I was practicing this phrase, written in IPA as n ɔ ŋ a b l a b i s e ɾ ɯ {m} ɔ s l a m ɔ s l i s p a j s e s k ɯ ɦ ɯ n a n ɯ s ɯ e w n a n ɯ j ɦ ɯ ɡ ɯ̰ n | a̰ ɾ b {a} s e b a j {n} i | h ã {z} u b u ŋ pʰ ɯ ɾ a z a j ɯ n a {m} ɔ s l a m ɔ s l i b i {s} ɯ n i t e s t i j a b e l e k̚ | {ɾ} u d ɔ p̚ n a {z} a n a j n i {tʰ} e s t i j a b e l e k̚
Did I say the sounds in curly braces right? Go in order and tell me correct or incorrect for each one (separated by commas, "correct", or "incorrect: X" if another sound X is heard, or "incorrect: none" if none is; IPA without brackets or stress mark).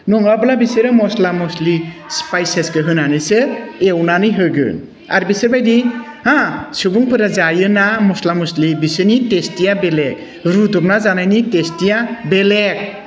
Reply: correct, incorrect: i, incorrect: d, incorrect: s, correct, correct, correct, correct, incorrect: t